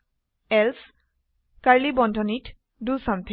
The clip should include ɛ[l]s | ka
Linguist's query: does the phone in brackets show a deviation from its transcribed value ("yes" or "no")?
no